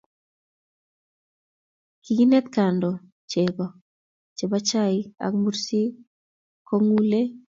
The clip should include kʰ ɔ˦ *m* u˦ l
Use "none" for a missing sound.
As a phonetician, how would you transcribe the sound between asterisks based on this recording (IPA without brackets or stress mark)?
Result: ŋ